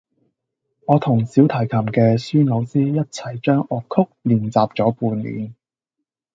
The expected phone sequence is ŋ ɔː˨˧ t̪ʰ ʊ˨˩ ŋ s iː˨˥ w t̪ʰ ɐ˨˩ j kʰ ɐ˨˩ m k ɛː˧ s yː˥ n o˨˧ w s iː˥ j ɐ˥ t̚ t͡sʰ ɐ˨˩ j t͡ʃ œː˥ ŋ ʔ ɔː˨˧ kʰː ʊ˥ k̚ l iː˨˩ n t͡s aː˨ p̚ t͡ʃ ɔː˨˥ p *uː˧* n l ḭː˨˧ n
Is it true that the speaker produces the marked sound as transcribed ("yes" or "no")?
yes